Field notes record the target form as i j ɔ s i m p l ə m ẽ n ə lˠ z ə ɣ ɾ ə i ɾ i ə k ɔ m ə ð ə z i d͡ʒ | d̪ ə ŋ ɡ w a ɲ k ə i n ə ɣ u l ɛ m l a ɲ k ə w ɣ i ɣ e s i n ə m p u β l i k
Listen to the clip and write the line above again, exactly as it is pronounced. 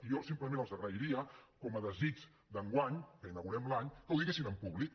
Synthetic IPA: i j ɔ s i m p l ə m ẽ n ə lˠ z ə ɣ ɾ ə i ɾ i ə k ɔ m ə ð ə z i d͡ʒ | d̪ ə ŋ ɡ w a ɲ k ə i n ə ɣ u ɾ ɛ m l a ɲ k ə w ð i ɣ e s i n ə m p u β l i k